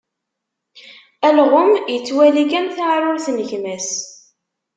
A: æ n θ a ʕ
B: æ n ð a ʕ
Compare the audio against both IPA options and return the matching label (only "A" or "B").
A